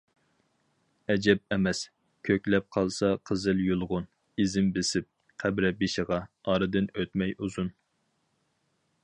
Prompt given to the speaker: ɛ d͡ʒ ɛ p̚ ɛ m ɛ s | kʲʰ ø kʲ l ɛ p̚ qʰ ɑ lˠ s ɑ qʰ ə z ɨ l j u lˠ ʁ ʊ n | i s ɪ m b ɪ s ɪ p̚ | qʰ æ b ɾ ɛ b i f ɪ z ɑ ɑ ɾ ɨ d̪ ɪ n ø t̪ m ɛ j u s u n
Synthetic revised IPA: ɛ d͡ʒ ɛ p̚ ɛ m ɛ s | kʲʰ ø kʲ l ɛ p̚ qʰ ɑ lˠ s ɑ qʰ ə z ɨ l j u lˠ ʁ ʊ n | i z ɪ m b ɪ s ɪ p̚ | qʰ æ b ɾ ɛ b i ʃ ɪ ʁ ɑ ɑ ɾ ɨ d̪ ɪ n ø t̪ m ɛ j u z u n